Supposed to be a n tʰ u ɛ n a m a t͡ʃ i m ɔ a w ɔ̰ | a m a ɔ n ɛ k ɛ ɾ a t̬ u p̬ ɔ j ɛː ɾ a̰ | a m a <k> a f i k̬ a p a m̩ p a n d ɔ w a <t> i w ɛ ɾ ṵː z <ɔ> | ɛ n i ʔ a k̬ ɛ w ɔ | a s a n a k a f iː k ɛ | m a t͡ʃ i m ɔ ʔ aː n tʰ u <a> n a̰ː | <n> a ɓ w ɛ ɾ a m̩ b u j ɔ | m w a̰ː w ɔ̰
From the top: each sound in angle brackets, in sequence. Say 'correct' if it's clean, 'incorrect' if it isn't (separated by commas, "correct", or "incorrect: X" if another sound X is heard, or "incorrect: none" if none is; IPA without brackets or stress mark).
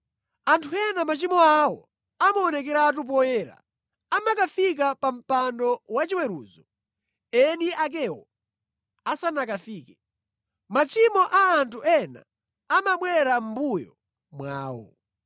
correct, incorrect: t͡ʃ, correct, incorrect: ɛ, incorrect: m